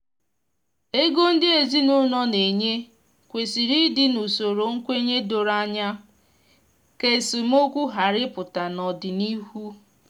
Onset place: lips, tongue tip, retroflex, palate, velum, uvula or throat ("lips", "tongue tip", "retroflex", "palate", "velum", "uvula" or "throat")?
velum